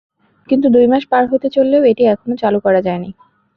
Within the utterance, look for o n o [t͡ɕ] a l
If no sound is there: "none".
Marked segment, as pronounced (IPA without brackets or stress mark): t͡ɕ